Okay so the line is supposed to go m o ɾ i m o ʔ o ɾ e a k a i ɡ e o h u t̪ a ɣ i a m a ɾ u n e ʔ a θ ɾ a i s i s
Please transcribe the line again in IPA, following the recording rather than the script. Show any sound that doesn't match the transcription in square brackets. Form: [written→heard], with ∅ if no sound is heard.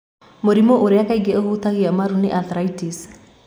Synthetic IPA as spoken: m o ɾ i m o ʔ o ɾ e a k a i ɡ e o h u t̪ a ɣ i a m a ɾ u n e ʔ a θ ɾ a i [s→t] i s